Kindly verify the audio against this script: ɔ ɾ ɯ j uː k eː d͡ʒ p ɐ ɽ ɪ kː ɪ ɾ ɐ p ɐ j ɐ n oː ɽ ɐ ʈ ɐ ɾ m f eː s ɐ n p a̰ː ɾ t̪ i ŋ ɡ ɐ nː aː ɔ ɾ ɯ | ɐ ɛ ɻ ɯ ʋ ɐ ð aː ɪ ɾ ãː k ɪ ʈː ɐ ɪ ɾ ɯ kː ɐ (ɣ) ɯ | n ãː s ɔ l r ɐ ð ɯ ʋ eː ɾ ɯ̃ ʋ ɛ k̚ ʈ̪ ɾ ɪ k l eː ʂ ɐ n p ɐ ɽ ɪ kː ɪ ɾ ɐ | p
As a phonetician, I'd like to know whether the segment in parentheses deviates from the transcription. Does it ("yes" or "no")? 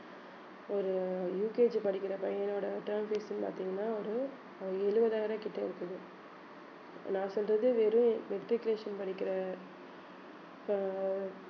yes